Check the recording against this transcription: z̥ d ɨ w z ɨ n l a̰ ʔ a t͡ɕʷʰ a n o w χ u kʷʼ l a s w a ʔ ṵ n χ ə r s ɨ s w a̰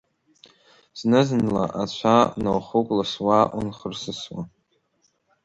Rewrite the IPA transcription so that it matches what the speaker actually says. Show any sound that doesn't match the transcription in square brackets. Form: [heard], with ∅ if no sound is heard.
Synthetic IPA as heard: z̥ [n] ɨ [∅] z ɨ n l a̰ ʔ a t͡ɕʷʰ a n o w χ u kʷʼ l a s w a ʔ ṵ n χ ə r s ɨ s w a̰